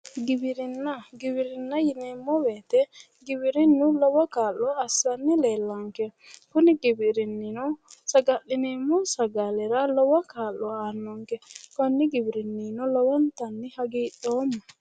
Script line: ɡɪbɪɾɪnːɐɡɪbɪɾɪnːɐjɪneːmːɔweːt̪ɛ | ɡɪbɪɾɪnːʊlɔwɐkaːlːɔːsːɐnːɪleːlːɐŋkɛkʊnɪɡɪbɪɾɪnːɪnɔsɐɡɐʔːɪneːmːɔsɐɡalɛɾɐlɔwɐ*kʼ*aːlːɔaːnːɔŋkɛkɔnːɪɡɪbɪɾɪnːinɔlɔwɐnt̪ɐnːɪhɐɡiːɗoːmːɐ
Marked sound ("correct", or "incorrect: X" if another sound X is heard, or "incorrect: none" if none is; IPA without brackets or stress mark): incorrect: k